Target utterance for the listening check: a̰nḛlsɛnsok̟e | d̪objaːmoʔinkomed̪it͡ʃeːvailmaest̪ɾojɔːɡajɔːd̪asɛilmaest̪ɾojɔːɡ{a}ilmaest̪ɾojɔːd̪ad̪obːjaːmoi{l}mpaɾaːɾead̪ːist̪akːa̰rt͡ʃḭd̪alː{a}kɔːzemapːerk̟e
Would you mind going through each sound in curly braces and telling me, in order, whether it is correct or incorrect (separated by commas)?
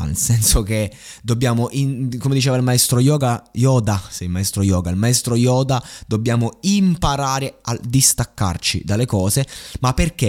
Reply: correct, incorrect, incorrect